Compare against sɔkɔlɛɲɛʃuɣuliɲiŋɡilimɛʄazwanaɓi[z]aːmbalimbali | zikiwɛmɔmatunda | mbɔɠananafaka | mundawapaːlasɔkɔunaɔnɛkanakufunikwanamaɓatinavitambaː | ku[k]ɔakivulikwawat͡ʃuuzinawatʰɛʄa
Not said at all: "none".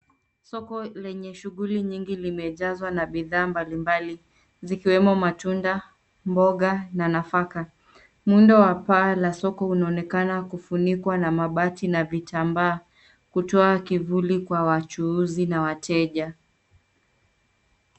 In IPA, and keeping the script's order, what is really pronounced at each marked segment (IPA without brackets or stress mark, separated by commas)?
ð, t